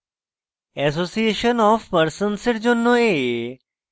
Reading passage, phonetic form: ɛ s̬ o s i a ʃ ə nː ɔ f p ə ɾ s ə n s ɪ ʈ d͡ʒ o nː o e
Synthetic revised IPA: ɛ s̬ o s i e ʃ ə n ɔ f p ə ɾ s ə n s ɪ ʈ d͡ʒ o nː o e